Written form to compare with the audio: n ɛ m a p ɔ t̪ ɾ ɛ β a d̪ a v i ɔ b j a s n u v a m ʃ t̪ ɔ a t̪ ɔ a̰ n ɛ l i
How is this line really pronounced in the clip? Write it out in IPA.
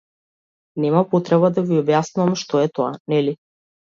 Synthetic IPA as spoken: n ɛ m a p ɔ t̪ ɾ ɛ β a d̪ a v i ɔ b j a s n u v a m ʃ t̪ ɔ ɛ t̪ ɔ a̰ n ɛ l i